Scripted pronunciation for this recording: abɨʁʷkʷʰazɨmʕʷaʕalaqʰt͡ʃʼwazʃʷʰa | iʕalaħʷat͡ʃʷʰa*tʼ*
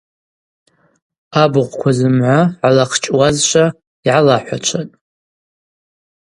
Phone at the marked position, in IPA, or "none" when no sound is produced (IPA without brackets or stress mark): tʼ